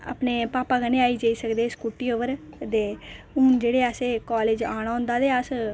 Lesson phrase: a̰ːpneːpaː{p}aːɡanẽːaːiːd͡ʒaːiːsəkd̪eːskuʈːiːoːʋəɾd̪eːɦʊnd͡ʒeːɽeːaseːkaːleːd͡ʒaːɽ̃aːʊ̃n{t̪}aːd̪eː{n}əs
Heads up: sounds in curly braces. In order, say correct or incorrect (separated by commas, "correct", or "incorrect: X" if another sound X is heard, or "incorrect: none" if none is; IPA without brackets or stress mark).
correct, incorrect: d̪, incorrect: none